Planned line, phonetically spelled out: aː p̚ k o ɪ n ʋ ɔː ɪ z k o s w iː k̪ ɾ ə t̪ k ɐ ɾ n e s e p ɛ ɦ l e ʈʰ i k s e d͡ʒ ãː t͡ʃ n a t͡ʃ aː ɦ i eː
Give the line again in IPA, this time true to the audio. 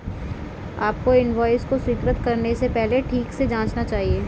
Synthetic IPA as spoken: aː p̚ k o ɪ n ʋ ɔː ɪ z k o s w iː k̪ ɾ ə t̪ k ɐ ɾ n e s e p ɛ ɦ l e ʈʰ iː k s e d͡ʒ ãː t͡ʃ n a t͡ʃ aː ɦ i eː

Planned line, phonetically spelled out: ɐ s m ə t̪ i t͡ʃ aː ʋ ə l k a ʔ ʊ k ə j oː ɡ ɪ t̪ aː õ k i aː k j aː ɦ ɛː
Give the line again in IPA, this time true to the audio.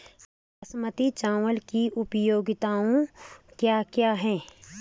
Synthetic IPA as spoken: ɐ s m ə t̪ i t͡ʃ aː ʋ ə l k i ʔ ʊ p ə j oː ɡ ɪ t̪ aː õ k j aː k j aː ɦ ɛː

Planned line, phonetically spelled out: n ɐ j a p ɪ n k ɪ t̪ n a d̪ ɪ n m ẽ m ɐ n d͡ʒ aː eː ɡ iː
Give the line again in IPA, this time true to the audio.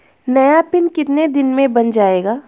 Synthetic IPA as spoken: n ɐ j a p ɪ n k ɪ t̪ n e d̪ ɪ n m ẽ b ɐ n d͡ʒ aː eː ɡ aː

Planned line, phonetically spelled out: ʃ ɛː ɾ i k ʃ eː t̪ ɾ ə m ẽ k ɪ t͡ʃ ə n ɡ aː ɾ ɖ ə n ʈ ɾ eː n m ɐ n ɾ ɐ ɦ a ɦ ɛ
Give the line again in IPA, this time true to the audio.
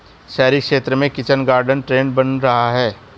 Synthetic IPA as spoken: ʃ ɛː ɾ i k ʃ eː t̪ ɾ ə m ẽ k ɪ t͡ʃ ə n ɡ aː ɾ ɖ ə n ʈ ɾ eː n b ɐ n ɾ ɐ ɦ a ɦ ɛː

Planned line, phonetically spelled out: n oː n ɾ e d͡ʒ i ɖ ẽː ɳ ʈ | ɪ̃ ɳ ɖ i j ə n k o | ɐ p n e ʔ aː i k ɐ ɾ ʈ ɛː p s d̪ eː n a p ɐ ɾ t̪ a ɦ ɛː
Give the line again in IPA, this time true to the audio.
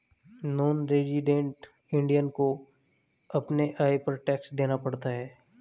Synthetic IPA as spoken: n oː n ɾ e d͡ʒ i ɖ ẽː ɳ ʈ | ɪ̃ ɳ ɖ i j ə n k o | ɐ p n e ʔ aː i p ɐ ɾ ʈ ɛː k s d̪ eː n a p ɐ ɽ t̪ a ɦ ɛː

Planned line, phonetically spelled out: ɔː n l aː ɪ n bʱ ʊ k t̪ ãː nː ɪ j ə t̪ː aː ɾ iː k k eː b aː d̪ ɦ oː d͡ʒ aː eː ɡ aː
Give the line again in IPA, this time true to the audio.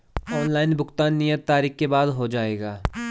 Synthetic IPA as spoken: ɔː n l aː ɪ n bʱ ʊ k t̪ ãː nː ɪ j ə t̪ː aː ɾ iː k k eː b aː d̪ ɦ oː d͡ʒ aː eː ɡ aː

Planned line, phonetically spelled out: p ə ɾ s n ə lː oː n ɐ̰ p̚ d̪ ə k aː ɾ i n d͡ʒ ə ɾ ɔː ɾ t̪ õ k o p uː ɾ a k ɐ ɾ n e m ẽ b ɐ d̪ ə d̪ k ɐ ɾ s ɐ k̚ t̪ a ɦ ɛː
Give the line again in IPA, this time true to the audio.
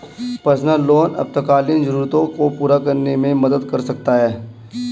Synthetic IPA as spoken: p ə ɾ s n ə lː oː n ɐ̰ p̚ t̪ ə k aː l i n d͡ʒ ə ɾ uː ɾ t̪ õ k o p uː ɾ a k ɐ ɾ n e m ẽ m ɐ d̪ ə d̪ k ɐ ɾ s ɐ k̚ t̪ a ɦ ɛː

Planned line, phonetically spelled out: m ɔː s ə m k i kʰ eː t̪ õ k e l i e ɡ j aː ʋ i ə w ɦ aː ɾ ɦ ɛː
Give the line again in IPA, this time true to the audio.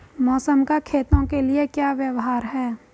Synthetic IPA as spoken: m ɔː s ə m k a kʰ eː t̪ õ k e l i e k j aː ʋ j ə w ɦ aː ɾ ɦ ɛː

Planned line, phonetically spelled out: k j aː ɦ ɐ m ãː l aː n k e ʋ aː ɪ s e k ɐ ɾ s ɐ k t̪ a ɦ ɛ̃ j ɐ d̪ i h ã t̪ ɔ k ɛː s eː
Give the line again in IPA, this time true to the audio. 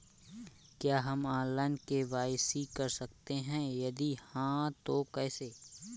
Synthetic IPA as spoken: k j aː ɦ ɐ m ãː l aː n k e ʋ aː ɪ s i k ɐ ɾ s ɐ k t̪ e ɦ ɛ̃ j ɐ d̪ i h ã t̪ o k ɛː s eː

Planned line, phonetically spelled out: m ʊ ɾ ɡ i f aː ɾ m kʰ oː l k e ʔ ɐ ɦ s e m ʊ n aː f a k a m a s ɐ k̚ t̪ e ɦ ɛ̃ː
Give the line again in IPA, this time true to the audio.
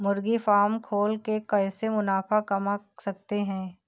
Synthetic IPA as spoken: m ʊ ɾ ɡ i f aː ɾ m kʰ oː l k e k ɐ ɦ s e m ʊ n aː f a k ɐ m a s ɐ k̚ t̪ e ɦ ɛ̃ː

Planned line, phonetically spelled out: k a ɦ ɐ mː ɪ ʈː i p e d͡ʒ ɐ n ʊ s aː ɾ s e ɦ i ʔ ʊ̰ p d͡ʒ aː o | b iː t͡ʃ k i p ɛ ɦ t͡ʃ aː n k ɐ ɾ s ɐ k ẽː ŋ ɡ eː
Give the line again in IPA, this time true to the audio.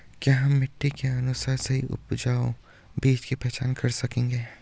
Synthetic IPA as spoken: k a ɦ ɐ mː ɪ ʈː i k e ɐ n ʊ s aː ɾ s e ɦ i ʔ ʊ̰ p d͡ʒ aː o | b iː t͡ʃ k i p ɛ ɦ t͡ʃ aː n k ɐ ɾ s ɐ k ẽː ŋ ɡ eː

